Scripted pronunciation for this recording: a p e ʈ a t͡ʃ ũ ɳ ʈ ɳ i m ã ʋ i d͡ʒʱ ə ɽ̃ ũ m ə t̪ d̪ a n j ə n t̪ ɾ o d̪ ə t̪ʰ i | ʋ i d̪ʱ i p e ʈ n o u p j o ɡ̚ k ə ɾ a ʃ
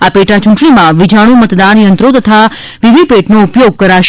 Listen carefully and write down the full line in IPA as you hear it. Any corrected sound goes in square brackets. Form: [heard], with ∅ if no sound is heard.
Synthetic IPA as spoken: a p e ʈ a t͡ʃ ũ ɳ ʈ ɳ i m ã ʋ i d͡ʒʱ [a] ɽ̃ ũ m ə t̪ d̪ a n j ə n t̪ ɾ o [t̪] ə t̪ʰ [a] | ʋ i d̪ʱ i p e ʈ n o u p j o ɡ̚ k ə ɾ a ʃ